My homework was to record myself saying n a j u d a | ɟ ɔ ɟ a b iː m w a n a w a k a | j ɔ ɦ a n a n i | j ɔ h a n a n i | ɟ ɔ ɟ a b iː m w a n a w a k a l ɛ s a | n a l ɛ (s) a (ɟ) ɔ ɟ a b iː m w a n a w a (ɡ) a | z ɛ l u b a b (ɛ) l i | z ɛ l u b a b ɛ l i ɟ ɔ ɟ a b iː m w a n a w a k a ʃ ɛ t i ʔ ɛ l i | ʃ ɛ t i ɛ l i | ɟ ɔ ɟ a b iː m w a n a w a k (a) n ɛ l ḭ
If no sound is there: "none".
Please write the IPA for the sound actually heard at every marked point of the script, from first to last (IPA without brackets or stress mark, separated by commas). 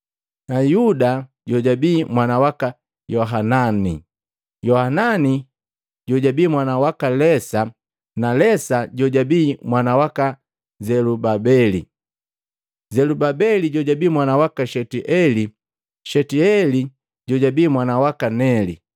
s, ɟ, k, ɛ, a